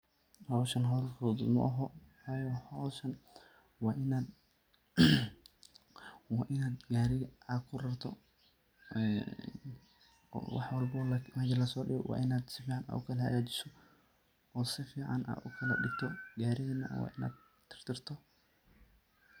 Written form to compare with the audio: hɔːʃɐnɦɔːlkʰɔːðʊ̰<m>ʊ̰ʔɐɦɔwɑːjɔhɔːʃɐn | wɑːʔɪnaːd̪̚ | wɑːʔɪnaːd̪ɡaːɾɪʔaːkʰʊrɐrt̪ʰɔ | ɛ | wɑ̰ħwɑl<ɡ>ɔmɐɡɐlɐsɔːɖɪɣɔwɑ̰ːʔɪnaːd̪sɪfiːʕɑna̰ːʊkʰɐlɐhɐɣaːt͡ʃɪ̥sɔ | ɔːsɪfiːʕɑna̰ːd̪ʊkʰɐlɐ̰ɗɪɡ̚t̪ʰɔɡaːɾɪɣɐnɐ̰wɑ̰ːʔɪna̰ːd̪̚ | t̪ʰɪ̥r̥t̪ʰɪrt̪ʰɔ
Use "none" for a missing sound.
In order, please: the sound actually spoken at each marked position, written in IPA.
m, b

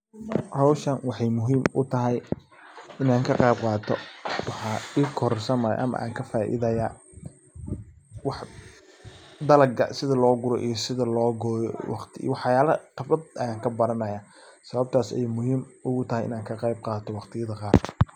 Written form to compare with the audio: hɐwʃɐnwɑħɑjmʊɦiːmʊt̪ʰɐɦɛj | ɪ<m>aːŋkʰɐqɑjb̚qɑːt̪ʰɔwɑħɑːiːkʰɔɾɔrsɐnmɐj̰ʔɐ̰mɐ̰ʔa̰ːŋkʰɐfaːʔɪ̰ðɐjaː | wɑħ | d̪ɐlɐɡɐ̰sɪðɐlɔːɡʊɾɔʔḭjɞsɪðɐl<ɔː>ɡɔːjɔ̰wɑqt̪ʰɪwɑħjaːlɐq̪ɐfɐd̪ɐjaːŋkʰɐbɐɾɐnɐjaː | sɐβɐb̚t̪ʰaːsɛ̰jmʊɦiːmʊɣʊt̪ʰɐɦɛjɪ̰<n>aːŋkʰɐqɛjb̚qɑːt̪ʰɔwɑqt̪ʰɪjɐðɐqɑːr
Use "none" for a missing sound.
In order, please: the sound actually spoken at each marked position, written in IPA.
n, ɔː, n

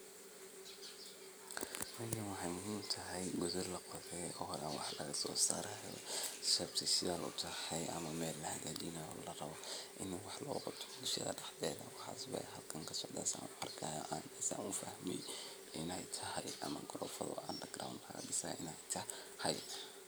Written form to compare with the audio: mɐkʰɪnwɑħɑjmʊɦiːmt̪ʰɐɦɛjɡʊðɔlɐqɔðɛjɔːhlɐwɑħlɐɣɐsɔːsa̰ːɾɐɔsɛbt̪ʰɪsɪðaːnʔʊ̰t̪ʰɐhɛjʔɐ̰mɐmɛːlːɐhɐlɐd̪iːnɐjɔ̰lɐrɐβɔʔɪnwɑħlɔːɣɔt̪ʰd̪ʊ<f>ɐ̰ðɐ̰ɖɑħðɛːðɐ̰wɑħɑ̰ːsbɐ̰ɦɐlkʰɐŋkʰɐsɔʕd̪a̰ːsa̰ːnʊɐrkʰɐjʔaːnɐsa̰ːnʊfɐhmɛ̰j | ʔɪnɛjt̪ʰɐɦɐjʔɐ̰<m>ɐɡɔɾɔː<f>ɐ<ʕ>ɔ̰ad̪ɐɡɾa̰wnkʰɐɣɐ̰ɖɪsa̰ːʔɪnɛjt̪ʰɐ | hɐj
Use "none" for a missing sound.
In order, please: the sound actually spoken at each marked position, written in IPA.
ʃ, m, f, ð

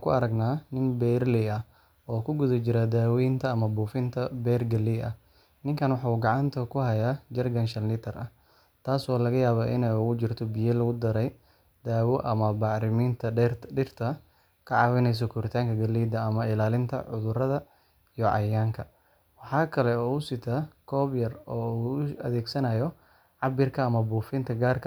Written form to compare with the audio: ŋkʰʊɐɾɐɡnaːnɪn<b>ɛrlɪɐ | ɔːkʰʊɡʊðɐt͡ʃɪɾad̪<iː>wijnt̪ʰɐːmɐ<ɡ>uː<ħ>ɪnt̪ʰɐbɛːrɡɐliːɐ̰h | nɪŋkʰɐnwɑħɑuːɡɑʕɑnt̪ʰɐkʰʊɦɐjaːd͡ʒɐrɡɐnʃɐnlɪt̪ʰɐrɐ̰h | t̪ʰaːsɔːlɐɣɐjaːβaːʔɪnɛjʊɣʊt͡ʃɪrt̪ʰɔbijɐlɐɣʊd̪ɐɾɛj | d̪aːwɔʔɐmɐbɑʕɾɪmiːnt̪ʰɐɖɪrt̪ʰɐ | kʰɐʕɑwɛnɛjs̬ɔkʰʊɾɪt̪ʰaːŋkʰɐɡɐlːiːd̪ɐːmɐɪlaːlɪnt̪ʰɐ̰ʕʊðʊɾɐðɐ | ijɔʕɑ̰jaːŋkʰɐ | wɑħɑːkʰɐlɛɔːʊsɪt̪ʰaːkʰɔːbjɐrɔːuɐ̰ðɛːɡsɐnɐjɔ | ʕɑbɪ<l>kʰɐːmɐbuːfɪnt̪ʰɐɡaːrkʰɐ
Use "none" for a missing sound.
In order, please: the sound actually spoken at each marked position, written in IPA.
b, aː, b, f, r

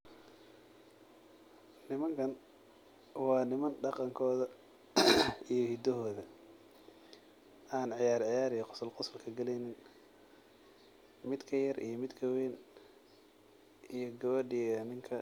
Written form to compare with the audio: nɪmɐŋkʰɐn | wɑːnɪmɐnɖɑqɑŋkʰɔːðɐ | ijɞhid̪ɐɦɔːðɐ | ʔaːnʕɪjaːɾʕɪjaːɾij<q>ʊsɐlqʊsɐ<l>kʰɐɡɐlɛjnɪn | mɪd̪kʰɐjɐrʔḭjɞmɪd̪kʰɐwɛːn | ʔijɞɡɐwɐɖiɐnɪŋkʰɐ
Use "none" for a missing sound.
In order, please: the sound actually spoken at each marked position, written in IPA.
q, l

